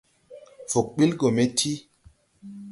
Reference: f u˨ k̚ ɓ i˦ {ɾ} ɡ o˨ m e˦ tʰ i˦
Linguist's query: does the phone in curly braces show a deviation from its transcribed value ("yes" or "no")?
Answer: yes